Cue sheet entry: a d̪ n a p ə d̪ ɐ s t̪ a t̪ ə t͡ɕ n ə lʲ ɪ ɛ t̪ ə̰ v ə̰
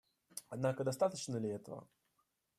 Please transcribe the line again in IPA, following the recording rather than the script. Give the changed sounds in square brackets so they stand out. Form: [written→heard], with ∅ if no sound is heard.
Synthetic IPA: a d̪ n a [p→k] ə d̪ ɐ s t̪ a t̪ ə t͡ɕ n ə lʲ ɪ ɛ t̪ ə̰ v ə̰